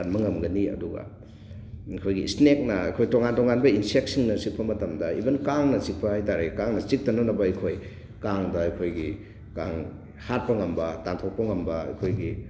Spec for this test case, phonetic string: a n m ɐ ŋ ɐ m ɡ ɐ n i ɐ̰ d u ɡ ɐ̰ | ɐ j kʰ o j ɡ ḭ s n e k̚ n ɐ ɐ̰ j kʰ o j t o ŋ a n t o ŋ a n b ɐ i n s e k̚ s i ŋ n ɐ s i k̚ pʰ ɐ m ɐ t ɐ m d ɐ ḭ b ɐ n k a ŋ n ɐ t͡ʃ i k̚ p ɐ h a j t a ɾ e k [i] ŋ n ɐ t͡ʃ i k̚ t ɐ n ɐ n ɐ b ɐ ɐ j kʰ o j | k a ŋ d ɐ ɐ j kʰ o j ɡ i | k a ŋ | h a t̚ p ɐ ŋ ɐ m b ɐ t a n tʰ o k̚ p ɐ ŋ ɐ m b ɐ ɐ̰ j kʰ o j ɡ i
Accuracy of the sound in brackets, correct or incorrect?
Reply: incorrect: a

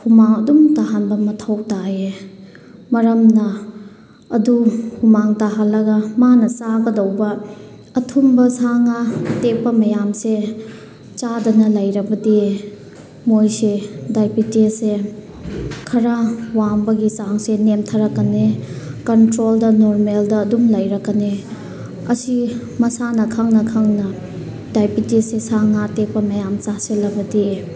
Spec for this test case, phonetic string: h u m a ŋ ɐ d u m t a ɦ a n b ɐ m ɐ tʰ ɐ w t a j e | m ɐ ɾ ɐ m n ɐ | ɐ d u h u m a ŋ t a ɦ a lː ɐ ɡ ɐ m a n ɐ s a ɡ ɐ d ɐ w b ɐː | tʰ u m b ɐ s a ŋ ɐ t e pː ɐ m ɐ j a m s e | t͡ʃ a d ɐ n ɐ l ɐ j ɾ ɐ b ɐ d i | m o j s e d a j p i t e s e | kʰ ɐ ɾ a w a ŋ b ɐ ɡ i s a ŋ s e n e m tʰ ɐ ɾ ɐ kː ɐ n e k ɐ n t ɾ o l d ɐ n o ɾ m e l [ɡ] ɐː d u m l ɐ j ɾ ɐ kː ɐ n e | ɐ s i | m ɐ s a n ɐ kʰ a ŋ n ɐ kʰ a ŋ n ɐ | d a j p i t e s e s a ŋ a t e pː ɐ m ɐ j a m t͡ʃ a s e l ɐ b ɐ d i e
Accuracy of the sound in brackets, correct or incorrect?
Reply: incorrect: d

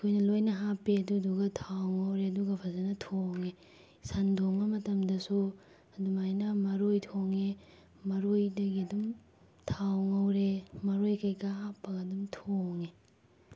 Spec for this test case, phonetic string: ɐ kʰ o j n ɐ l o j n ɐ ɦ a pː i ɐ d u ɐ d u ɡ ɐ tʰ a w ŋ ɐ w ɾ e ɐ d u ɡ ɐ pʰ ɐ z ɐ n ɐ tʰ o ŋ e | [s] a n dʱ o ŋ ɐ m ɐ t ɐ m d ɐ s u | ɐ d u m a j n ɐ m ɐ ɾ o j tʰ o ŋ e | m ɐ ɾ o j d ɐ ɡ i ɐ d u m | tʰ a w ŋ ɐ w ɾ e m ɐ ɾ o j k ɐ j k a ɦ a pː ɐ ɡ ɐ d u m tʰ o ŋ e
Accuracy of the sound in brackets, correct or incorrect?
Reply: correct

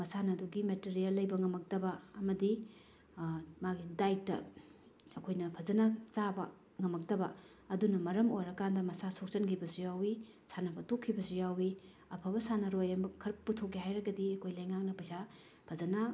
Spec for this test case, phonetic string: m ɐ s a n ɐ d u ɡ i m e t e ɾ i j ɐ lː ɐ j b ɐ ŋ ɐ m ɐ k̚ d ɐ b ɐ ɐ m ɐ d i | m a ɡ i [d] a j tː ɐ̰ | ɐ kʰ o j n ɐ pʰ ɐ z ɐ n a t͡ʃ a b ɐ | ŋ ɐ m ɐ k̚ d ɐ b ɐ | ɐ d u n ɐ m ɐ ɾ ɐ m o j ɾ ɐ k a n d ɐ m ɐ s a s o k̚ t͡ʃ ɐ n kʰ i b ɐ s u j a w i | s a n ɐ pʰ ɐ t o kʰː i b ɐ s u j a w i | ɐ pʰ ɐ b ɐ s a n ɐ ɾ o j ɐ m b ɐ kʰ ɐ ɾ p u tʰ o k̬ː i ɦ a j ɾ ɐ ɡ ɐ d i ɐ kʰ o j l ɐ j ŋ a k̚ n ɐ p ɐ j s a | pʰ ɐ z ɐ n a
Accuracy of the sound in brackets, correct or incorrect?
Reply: correct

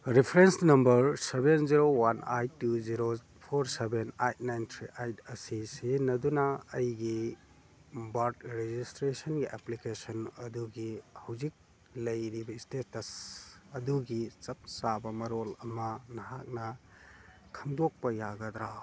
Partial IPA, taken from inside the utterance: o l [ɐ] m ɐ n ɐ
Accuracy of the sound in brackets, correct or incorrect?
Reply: correct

